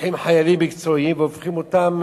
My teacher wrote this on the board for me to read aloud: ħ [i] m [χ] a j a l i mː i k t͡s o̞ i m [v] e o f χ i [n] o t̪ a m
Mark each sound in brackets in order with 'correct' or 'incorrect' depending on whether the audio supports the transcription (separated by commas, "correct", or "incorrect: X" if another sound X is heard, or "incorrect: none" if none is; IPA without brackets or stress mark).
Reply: correct, incorrect: ħ, correct, incorrect: m